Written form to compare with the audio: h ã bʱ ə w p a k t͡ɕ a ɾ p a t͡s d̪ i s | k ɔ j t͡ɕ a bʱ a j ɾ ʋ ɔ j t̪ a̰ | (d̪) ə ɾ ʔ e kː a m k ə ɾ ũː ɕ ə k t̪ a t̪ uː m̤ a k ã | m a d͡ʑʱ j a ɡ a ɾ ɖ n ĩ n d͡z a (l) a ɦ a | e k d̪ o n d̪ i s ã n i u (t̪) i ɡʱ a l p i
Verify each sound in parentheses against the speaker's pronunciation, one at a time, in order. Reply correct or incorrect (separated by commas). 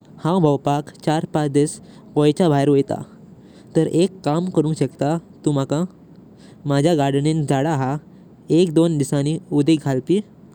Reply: incorrect, incorrect, incorrect